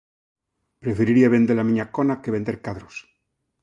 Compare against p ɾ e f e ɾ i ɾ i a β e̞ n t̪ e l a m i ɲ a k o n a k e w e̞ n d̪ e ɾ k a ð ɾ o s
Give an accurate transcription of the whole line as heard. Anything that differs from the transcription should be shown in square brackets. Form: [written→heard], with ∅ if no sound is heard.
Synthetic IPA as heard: p ɾ e f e ɾ i ɾ i a β e̞ n [t̪→d̪] e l a m i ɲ a k o n a k e [w→β] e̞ n d̪ e ɾ k a ð ɾ o s